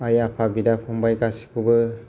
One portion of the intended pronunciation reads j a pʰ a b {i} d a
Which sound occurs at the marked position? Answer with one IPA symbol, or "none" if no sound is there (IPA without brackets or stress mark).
i